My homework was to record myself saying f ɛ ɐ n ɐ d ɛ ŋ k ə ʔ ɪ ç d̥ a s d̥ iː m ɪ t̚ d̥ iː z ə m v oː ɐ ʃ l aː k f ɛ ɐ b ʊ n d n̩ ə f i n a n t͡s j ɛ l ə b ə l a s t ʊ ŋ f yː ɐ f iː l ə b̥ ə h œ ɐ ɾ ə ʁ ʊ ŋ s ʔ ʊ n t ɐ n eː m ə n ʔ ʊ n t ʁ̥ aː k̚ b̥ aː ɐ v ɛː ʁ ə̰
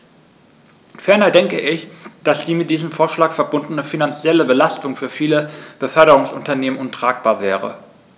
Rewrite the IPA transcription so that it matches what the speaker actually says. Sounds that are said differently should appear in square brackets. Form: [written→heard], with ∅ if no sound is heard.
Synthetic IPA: f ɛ ɐ n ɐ d ɛ ŋ k ə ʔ ɪ ç d̥ a s d̥ iː m ɪ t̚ d̥ iː z ə m [v→f] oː ɐ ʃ l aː k f ɛ ɐ b ʊ n d n̩ ə f i n a n t͡s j ɛ l ə b ə l a s t ʊ ŋ f yː ɐ f iː l ə b̥ ə [h→f] œ ɐ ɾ ə ʁ ʊ ŋ s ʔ ʊ n t ɐ n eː m ə n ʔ ʊ n t ʁ̥ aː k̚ b̥ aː ɐ v ɛː ʁ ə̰

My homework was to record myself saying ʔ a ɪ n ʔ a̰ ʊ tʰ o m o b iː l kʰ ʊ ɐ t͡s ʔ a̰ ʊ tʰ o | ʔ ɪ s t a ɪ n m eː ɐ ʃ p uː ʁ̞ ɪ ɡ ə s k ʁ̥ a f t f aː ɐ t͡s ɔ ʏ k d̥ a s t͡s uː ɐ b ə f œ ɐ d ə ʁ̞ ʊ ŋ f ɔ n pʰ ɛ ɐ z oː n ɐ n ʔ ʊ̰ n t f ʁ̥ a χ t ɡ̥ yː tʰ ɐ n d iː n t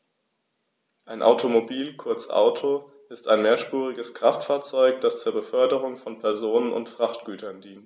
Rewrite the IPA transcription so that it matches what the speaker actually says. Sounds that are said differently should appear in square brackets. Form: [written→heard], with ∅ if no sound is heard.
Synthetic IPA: ʔ a ɪ n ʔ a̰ ʊ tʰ o m o b iː l kʰ ʊ ɐ t͡s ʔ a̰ ʊ tʰ o | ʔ ɪ s t a ɪ n m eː ɐ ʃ p uː ʁ̞ ɪ ɡ ə s k ʁ̥ a f t f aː ɐ t͡s ɔ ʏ k d̥ a s t͡s uː ɐ b ə f œ ɐ d ə ʁ̞ ʊ ŋ f ɔ n pʰ ɛ ɐ z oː n [ɐ→ə] n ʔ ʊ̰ n t f ʁ̥ a χ t ɡ̥ yː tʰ ɐ n d iː n t

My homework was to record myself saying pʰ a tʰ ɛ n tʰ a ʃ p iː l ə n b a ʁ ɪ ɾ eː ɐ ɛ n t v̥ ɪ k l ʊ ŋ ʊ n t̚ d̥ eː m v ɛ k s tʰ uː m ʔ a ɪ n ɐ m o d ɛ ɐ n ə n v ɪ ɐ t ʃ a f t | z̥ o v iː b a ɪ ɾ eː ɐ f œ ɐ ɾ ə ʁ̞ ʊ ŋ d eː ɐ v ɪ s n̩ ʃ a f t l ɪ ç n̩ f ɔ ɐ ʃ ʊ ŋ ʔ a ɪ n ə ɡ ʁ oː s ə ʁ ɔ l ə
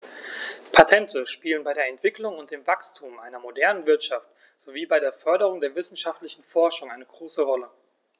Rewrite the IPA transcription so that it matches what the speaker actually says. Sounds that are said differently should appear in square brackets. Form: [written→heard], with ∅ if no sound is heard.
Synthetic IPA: pʰ a tʰ ɛ n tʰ [a→ə] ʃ p iː l ə n b a [ʁ→∅] ɪ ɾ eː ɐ ɛ n t v̥ ɪ k l ʊ ŋ ʊ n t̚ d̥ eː m v [ɛ→a] k s tʰ uː m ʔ a ɪ n ɐ m o d ɛ ɐ n ə n v ɪ ɐ t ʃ a f t | z̥ o v iː b a ɪ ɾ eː ɐ f œ ɐ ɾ ə ʁ̞ ʊ ŋ d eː ɐ v ɪ s n̩ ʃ a f t l ɪ ç n̩ f ɔ ɐ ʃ ʊ ŋ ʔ a ɪ n ə ɡ ʁ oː s ə ʁ ɔ l ə

